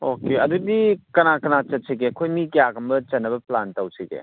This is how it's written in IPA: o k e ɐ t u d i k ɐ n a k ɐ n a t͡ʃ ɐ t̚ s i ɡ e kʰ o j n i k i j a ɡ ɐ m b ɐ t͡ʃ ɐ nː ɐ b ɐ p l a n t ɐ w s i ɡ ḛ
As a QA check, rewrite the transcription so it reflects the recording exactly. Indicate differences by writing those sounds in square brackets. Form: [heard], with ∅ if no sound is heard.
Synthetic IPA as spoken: o k e ɐ [d] u d i k ɐ n a k ɐ n a t͡ʃ ɐ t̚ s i ɡ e kʰ o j [m] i k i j a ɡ ɐ m b ɐ t͡ʃ ɐ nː ɐ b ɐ p l a n t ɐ w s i ɡ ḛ